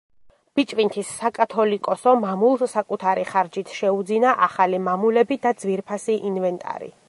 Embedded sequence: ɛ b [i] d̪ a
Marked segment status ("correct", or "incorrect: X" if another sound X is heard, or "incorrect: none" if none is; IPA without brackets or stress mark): correct